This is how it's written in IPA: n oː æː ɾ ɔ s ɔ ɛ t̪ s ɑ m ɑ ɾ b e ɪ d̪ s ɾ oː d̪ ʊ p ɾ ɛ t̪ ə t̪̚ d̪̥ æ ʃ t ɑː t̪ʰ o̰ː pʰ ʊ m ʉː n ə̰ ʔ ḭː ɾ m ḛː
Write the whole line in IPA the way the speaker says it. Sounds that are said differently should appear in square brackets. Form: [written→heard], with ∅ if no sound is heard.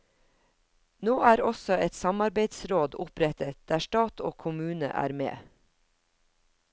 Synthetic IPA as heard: n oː æː ɾ ɔ s ɔ ɛ t̪ s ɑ m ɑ ɾ b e ɪ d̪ s ɾ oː d̪ ʊ p ɾ ɛ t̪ ə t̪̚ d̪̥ [æ→æː] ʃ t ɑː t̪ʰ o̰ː [pʰ→kʰ] ʊ m ʉː n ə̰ ʔ [ḭː→æ̰ː] ɾ m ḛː